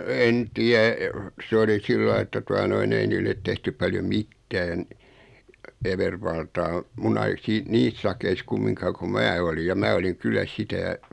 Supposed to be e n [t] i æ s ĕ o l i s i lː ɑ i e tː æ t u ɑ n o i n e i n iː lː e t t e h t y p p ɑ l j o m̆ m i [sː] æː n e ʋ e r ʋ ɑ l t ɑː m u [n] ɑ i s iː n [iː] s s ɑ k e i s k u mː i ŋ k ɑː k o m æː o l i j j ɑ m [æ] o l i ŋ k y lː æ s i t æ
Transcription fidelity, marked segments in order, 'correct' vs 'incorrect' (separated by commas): correct, incorrect, correct, correct, incorrect